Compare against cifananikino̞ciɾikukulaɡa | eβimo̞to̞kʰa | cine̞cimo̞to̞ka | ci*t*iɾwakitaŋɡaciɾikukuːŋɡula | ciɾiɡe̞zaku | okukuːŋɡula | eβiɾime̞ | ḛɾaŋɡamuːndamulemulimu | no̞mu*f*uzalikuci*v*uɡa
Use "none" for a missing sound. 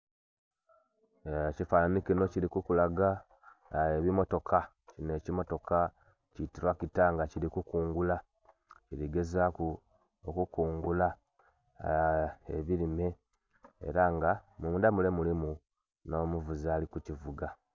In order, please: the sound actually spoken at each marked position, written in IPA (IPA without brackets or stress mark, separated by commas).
t, v, v